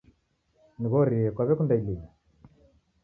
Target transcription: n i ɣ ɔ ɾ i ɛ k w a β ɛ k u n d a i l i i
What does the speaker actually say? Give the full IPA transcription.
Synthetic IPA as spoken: n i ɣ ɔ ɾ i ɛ k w a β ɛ k u n d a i l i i